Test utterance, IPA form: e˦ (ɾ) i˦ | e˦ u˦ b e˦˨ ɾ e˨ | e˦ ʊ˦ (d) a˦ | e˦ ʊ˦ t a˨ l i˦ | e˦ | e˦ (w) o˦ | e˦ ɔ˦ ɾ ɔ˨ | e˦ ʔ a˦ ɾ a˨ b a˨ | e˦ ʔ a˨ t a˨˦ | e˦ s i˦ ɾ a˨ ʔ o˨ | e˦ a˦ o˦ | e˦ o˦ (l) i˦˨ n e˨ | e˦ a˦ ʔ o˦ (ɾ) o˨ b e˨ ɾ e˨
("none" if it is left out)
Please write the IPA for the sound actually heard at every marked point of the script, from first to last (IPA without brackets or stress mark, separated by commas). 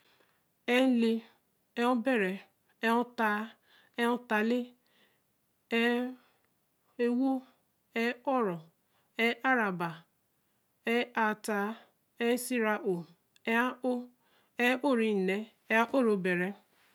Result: l, t, w, ɾ, ɾ